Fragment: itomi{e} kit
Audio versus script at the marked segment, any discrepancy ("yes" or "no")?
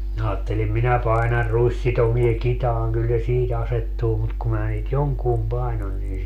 no